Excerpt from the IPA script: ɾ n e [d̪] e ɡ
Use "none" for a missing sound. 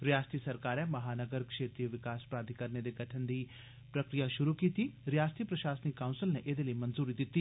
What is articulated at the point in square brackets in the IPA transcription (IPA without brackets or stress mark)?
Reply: d̪